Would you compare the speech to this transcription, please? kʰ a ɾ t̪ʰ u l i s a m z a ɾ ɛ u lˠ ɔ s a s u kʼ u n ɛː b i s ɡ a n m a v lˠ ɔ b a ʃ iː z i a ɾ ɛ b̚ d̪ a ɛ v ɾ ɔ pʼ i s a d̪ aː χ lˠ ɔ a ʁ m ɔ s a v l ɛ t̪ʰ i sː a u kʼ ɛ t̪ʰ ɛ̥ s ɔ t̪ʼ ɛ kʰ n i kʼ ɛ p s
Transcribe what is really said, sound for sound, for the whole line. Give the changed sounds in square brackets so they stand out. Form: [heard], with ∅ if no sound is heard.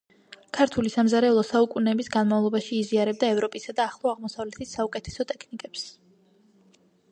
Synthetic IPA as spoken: kʰ a ɾ t̪ʰ u l i s a m z a ɾ ɛ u lˠ ɔ s a [∅] u kʼ u n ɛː b i s ɡ a n m a v lˠ ɔ b a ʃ iː z i a ɾ ɛ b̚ d̪ a ɛ v ɾ ɔ pʼ i s a d̪ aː χ lˠ ɔ a ʁ m ɔ s a v l ɛ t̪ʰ i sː a u kʼ ɛ t̪ʰ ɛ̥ s ɔ t̪ʼ ɛ kʰ n i kʼ ɛ p s